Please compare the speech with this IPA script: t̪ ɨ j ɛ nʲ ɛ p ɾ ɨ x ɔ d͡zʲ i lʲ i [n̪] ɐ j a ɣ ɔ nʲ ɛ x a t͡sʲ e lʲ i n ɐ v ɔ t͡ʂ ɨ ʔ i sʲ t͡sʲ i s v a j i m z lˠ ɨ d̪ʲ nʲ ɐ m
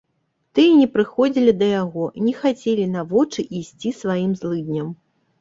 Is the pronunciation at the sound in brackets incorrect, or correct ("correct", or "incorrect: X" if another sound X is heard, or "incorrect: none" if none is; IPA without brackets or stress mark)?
incorrect: d̪